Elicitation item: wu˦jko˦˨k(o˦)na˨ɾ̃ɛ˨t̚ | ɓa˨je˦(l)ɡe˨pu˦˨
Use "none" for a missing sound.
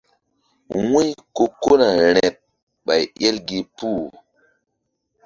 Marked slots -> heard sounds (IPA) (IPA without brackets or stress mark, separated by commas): o˦, l